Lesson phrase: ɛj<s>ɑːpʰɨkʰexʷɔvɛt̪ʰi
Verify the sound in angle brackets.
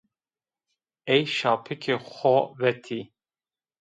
incorrect: ʃ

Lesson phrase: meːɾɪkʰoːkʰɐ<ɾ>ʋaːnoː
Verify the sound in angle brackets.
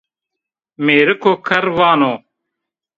correct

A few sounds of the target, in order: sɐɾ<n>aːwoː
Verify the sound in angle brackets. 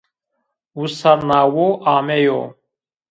correct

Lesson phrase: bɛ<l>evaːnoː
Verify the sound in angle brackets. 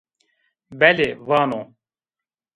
correct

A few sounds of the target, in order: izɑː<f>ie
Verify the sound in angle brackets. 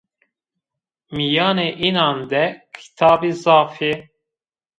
correct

